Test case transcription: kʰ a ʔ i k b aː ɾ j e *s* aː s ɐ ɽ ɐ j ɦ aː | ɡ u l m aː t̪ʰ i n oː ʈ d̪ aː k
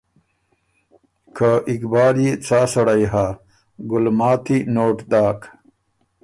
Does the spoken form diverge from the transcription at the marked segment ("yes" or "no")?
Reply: yes